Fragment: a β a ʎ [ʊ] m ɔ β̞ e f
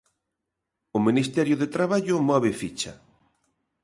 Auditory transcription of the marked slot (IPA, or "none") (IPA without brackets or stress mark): ʊ